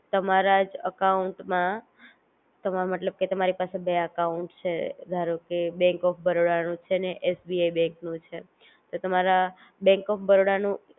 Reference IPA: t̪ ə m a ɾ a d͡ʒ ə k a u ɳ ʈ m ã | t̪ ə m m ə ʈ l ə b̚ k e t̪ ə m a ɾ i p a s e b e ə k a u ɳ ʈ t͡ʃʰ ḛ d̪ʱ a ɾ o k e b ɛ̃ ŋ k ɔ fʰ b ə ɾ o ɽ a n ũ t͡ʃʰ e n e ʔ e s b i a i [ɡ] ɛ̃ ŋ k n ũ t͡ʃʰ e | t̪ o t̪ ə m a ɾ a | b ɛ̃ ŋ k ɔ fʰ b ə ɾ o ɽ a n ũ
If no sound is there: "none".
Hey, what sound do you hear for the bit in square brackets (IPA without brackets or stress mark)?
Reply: b